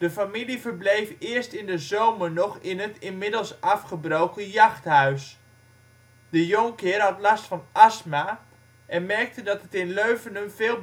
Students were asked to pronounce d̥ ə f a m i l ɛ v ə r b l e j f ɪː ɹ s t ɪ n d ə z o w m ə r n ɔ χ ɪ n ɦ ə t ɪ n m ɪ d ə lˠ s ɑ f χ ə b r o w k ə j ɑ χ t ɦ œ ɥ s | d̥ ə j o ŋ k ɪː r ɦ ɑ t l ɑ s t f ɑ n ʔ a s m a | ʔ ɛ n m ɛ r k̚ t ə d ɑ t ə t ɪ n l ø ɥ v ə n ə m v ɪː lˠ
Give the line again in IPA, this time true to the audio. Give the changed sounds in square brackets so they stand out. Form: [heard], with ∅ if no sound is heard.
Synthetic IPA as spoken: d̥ ə f a m i l [i] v ə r b l e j f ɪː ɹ s t ɪ n d ə z o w m ə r n ɔ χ ɪ n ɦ ə t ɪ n m ɪ d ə lˠ s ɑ f χ ə b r o w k ə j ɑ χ t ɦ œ ɥ s | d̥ ə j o ŋ k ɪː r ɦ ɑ t l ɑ s t f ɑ n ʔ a s m a | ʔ ɛ n m ɛ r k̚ t ə d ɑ t ə t ɪ n l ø ɥ v ə n ə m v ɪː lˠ